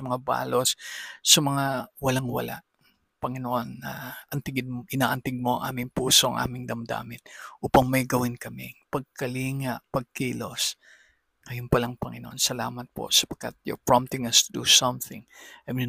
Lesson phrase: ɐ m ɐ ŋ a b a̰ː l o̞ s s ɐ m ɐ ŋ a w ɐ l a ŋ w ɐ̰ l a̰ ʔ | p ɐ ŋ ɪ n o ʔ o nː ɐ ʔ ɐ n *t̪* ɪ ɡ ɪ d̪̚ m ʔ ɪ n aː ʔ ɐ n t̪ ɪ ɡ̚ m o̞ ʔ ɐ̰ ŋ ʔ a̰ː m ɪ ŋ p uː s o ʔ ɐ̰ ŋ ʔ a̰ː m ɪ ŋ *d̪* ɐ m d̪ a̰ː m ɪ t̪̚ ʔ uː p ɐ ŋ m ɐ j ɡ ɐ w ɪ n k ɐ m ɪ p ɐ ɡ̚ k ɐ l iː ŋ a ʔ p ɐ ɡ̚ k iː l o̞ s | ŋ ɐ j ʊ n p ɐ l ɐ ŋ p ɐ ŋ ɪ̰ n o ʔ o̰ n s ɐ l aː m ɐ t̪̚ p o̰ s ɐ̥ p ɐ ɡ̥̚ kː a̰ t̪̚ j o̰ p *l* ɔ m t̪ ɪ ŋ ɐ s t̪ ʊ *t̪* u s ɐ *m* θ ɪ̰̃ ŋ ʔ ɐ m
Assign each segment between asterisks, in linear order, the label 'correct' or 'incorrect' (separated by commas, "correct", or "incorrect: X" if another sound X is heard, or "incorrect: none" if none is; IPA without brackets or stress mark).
correct, correct, incorrect: ɹ, incorrect: d̪, correct